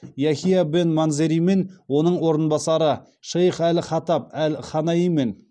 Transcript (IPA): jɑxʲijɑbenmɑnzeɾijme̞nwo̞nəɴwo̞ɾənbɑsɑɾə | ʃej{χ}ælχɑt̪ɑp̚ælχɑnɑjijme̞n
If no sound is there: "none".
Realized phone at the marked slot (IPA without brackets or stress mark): χ